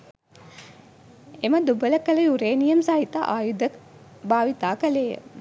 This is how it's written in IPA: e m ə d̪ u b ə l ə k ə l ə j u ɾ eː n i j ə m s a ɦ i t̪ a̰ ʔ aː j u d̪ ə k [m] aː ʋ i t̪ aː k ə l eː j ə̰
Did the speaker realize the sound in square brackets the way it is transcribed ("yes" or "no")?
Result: no